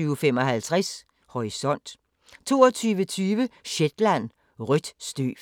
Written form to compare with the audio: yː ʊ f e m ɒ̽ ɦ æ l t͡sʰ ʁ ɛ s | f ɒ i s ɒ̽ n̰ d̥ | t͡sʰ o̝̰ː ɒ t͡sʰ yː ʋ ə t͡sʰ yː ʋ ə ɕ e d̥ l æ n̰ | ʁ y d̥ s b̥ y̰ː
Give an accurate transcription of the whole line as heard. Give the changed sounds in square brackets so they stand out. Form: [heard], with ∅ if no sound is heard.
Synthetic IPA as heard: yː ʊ f e m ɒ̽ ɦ æ l t͡sʰ ʁ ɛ s | [h] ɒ i s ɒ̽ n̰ d̥ | t͡sʰ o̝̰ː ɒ t͡sʰ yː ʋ ə t͡sʰ yː ʋ ə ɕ e d̥ l æ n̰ | ʁ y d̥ s [d̥] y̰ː